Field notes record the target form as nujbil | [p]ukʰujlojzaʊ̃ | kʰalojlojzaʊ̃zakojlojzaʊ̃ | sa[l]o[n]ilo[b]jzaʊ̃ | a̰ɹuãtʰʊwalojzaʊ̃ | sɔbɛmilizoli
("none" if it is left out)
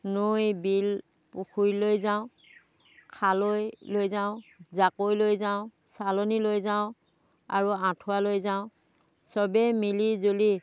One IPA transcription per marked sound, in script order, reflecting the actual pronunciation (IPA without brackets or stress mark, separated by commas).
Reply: p, l, n, none